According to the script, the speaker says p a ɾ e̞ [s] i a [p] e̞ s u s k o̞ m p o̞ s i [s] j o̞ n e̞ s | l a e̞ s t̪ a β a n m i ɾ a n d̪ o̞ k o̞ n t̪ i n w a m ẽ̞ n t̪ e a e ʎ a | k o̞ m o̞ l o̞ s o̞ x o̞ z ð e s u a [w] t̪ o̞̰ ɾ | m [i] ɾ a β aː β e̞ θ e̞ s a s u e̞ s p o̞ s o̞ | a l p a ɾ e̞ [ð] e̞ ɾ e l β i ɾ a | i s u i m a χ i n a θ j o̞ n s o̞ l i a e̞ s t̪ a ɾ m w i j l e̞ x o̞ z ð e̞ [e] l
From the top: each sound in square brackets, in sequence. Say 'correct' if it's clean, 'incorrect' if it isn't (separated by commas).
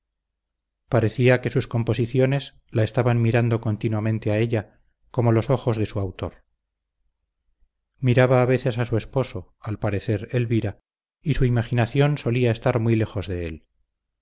incorrect, incorrect, incorrect, correct, correct, incorrect, correct